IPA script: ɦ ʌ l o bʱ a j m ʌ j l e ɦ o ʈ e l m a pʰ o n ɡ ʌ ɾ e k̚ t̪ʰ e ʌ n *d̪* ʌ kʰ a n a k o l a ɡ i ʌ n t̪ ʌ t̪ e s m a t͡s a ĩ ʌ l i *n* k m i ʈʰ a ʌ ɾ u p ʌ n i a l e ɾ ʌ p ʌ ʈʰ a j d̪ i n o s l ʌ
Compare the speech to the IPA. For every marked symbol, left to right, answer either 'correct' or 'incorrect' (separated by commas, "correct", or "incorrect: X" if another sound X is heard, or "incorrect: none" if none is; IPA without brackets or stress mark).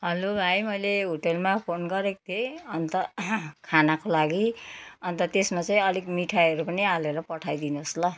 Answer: incorrect: t̪, incorrect: none